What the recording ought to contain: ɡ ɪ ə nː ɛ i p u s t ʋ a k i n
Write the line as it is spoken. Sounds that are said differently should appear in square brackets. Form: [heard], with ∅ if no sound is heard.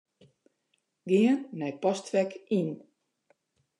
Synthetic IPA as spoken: ɡ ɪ ə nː ɛ [j] p [ɔ] s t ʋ [ɛ] k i n